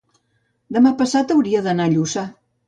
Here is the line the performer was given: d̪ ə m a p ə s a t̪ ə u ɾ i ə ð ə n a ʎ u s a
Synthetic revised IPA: d̪ ə m a p ə s a t̪ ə w ɾ i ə ð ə n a ʎ u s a